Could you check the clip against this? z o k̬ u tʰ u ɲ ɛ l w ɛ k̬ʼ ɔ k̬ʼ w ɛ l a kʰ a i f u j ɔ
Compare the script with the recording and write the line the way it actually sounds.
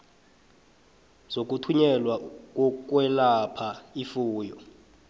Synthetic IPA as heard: z o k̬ u tʰ u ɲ ɛ l w a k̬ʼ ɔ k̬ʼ w ɛ l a pʰ a i f uː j ɔ